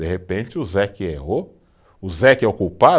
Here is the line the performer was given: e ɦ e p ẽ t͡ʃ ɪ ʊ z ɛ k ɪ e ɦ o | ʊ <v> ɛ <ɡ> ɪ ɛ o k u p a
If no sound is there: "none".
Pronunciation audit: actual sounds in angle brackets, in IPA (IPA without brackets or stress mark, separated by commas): z, k